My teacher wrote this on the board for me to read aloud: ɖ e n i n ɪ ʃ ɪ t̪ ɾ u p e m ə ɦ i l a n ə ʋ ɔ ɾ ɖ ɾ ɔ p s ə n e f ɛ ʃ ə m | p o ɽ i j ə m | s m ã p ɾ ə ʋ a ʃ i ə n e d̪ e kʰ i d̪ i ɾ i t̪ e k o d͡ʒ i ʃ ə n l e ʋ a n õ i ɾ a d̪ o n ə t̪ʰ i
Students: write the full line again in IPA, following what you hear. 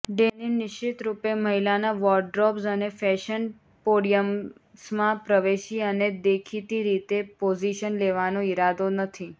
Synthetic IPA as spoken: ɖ e n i n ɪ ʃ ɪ t̪ ɾ u p e m ə ɦ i l a n a ʋ ɔ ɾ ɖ ɾ ɔ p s ə n e f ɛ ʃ ə n | p o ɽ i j ə m | s m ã p ɾ ə ʋ e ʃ i ə n e d̪ e kʰ i t̪ i ɾ i t̪ e p o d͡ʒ i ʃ ə n l e ʋ a n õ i ɾ a d̪ o n ə t̪ʰ i